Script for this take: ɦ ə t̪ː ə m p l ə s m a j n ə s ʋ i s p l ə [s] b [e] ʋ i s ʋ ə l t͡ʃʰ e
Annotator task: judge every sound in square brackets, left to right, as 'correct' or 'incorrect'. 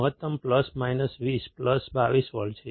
correct, incorrect: a

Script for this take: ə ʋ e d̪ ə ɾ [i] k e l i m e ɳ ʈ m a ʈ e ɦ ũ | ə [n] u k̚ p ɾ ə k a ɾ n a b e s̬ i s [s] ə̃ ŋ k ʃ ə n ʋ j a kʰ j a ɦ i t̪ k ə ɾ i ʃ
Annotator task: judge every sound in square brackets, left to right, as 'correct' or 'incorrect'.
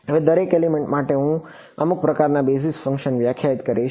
incorrect: e, incorrect: m, incorrect: f

